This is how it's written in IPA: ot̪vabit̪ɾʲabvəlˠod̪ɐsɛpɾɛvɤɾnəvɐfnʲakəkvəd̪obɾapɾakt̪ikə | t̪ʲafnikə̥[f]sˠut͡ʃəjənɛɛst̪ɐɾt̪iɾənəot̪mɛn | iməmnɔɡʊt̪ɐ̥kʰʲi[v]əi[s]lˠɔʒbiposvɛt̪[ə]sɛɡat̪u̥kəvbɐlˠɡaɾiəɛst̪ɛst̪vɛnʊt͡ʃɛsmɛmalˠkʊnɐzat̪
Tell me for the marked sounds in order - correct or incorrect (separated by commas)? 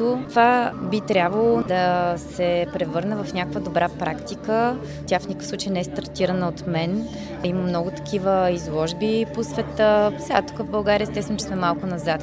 correct, correct, incorrect, correct